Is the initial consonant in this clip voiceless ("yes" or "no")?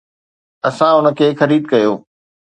yes